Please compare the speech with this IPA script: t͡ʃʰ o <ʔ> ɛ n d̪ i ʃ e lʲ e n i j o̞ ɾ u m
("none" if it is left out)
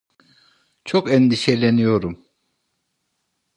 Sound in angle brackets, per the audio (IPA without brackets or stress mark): k